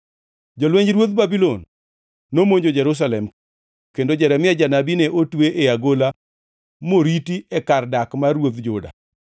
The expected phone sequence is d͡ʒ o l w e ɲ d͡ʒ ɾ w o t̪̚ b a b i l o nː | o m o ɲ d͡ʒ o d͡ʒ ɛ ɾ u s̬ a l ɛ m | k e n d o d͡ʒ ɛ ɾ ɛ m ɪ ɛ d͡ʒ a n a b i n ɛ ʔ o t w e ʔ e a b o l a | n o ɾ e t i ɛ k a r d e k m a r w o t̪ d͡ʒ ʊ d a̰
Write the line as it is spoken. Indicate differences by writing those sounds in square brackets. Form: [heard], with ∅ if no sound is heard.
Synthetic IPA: d͡ʒ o l w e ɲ d͡ʒ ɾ w o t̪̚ b a b i l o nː | o m o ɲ d͡ʒ o d͡ʒ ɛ ɾ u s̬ a l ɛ m | k e n d o d͡ʒ ɛ ɾ ɛ m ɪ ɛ d͡ʒ a n a b i n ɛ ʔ o t w e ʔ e a [ɡ] o l a | [m] o ɾ [i] t i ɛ k a r d [a] k m a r w o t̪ d͡ʒ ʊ d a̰